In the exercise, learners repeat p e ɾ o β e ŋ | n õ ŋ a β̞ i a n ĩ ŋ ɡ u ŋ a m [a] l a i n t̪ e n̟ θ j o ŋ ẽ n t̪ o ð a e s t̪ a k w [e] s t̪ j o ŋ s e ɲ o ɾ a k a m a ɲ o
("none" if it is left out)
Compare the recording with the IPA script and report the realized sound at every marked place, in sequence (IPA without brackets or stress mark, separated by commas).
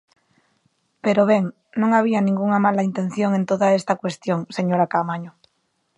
a, e